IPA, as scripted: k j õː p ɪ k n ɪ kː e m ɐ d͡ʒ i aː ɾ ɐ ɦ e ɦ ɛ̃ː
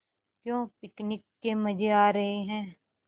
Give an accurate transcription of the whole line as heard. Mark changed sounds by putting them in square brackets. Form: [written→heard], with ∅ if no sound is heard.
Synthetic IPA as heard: k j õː p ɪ k n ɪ kː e m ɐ d͡ʒ [i→e] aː ɾ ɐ ɦ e ɦ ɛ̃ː